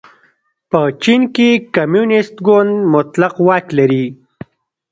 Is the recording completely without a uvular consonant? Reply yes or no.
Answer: no